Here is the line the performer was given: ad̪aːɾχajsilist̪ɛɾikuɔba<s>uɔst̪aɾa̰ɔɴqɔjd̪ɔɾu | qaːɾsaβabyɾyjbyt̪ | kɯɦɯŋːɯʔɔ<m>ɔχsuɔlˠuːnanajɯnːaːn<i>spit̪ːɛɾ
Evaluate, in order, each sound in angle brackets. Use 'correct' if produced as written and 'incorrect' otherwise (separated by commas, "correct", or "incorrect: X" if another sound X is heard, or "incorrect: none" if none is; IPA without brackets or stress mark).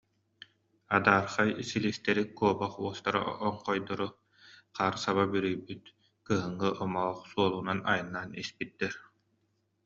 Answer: incorrect: χ, correct, correct